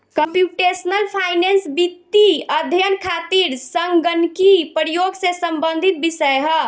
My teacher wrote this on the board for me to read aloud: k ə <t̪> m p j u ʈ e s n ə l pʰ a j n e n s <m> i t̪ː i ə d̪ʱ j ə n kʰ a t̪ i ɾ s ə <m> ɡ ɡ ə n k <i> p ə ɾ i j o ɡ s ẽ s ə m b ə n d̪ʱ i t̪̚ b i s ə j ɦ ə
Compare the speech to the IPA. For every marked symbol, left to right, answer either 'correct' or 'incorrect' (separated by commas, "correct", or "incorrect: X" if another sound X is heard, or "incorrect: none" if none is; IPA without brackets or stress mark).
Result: incorrect: none, incorrect: b, incorrect: ŋ, correct